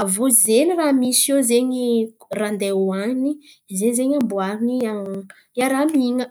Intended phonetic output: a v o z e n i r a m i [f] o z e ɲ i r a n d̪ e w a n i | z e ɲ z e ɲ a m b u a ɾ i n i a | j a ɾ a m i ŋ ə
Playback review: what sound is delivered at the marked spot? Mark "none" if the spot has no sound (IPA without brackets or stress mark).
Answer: s